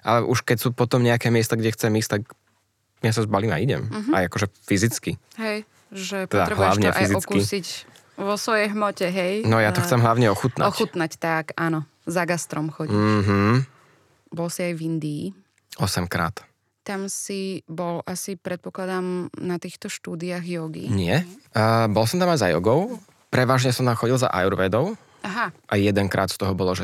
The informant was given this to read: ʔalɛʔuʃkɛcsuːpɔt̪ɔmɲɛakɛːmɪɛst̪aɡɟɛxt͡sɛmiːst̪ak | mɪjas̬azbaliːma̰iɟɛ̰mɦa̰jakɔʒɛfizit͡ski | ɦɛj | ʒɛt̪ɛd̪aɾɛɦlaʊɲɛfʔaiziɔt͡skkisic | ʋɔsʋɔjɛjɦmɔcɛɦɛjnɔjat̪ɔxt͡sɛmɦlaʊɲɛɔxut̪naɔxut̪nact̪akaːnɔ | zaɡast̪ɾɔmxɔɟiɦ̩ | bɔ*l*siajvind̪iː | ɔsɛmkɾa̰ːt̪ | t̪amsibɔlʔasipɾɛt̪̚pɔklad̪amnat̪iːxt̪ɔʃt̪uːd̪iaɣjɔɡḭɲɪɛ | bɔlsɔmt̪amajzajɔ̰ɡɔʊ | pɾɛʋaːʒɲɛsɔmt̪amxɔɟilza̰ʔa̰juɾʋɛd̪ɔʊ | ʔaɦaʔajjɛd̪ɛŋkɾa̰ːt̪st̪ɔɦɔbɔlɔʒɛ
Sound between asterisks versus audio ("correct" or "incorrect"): correct